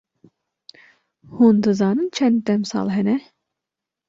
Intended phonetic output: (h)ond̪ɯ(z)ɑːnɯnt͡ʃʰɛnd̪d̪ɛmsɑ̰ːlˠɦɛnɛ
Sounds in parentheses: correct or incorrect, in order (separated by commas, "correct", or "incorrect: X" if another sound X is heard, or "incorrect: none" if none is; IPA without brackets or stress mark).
correct, correct